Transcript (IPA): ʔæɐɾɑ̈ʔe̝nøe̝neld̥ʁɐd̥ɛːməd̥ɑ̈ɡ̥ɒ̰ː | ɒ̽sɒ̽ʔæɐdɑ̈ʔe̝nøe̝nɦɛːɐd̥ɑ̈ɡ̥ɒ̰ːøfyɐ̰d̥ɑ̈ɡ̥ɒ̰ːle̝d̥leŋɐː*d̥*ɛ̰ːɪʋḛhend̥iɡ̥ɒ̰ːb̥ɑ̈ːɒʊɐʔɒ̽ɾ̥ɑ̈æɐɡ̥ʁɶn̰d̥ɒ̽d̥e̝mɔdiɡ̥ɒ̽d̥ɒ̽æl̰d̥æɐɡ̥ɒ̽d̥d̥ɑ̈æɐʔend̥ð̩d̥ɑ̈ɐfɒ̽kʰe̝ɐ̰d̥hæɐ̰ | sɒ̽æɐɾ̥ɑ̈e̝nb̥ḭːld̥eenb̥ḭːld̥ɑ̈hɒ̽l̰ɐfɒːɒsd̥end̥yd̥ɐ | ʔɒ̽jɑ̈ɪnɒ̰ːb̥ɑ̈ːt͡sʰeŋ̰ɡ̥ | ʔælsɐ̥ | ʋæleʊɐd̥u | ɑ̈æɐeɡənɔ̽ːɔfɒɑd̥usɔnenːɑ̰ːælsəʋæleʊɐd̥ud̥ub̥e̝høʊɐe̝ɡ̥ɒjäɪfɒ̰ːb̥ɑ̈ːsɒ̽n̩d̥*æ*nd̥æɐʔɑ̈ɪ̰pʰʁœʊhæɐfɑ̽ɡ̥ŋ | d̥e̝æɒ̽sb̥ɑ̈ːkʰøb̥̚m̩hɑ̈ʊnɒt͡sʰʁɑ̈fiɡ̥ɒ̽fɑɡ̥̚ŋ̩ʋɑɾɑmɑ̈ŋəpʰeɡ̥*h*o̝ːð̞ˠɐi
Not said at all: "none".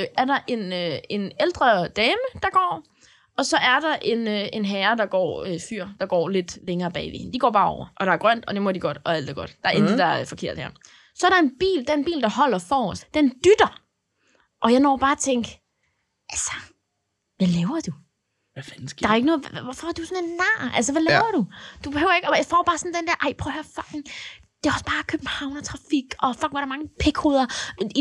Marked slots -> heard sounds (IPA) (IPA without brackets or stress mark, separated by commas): b̥, e, h